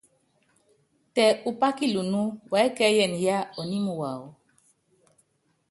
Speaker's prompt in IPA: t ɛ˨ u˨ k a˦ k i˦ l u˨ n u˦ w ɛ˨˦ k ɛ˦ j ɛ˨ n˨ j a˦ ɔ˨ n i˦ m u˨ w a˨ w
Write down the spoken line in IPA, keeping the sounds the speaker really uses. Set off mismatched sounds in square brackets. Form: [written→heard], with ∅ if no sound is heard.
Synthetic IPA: t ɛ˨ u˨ [k→p] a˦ k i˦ l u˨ n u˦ w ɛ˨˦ k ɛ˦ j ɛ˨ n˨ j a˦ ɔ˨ n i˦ m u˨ w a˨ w